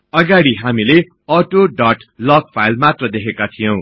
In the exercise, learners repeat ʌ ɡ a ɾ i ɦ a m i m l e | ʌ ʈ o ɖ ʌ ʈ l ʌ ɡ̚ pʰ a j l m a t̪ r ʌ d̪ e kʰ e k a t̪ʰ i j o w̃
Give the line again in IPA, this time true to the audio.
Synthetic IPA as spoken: ʌ ɡ a ɽ i ɦ a m i l e | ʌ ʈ o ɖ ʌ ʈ l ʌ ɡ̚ pʰ a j l m a t̪ r ʌ d̪ e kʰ e k a t̪ʰ i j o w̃